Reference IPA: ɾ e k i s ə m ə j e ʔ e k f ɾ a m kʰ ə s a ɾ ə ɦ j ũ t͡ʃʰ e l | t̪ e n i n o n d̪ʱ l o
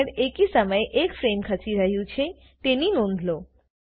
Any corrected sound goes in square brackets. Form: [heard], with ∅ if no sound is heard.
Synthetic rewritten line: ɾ e k i s ə m ə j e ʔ e k f ɾ [e] m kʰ ə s [i] ɾ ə ɦ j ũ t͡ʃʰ e [∅] | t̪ e n i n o n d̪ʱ l o